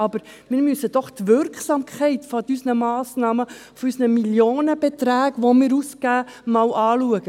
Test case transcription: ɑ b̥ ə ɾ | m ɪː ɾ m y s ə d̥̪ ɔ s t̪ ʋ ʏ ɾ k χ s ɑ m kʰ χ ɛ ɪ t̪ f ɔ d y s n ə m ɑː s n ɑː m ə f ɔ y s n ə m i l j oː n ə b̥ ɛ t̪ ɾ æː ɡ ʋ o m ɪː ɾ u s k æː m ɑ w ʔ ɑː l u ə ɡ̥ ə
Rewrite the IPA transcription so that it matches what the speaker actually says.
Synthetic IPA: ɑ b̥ ə ɾ | m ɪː ɾ m y s ə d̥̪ ɔ χ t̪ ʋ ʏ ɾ k χ s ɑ m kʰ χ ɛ ɪ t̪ f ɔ d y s n ə m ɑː s n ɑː m ə f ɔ y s n ə m i l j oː n ə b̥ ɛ t̪ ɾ æː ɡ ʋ o m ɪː ɾ u s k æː m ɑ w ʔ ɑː l u ə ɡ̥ ə